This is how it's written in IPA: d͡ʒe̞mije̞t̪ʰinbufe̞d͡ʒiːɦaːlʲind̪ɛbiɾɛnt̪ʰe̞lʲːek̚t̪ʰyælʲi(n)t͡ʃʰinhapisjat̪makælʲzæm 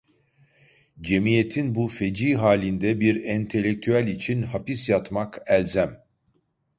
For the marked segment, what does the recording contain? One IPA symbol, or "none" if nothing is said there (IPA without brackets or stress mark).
none